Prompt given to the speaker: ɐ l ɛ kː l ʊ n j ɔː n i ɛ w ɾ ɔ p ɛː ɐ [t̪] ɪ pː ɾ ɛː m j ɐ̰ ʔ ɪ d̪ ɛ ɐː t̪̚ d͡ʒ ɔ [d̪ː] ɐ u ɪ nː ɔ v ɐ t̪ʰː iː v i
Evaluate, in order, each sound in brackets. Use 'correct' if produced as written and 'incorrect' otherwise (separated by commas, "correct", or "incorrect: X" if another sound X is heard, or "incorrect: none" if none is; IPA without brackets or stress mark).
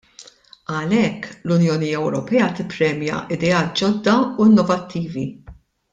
correct, correct